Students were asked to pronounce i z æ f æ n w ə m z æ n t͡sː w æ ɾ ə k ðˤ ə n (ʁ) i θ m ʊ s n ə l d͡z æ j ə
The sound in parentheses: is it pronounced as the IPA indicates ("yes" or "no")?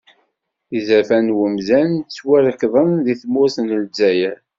no